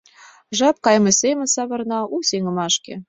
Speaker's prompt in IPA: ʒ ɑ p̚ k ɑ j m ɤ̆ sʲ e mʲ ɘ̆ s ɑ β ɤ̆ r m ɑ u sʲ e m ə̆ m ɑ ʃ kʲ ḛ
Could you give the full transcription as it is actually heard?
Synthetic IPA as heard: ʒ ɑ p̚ k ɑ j m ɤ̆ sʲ e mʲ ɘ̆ s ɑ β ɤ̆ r n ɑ u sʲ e ŋ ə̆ m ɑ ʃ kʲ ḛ